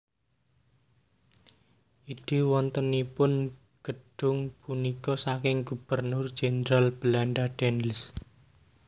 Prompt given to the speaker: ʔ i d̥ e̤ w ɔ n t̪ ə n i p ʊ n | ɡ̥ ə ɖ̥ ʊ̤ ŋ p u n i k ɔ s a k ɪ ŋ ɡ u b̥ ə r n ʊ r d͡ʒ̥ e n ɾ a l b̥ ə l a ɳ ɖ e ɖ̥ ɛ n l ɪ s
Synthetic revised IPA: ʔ i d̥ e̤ w ɔ n t̪ ə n i p ʊ n | ɡ̥ ə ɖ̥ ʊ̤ ŋ p u n i k ɔ s a k ɪ ŋ ɡ u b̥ ə r n ʊ r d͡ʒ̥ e n ɾ a l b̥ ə l a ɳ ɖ a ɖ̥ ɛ n l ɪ s